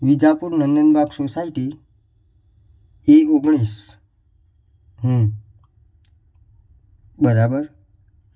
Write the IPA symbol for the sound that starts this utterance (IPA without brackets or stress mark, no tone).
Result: ʋ